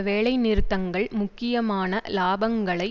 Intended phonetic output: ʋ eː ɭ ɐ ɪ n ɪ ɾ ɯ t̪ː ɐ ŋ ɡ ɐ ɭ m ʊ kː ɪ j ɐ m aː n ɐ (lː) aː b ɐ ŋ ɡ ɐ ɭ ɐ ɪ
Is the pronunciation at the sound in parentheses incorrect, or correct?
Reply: incorrect